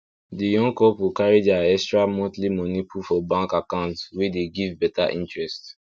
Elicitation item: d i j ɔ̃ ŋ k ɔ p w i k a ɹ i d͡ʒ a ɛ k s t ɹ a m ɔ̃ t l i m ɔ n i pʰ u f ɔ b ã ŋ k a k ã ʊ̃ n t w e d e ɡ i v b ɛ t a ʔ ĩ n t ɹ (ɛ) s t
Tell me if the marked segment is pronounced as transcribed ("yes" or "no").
yes